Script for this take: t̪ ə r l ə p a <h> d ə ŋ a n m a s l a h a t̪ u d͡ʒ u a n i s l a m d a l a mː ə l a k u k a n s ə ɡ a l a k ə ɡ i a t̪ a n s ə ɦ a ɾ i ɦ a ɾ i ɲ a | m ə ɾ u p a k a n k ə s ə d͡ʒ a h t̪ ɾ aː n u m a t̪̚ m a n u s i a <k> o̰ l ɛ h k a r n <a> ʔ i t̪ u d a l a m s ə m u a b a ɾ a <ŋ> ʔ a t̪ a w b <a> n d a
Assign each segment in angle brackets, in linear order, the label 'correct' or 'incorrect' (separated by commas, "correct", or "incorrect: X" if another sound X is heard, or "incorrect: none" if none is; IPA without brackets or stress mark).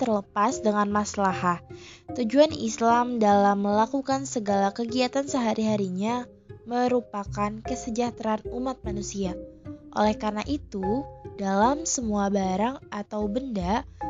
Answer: incorrect: s, incorrect: ʔ, correct, correct, incorrect: ə